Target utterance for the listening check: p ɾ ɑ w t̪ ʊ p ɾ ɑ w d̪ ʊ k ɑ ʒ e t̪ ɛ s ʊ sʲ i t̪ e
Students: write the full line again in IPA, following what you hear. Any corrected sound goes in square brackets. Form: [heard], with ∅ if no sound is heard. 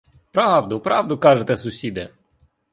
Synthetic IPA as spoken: p ɾ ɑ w [d̪] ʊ p ɾ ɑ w d̪ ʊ k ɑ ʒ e t̪ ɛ s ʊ sʲ i [d̪] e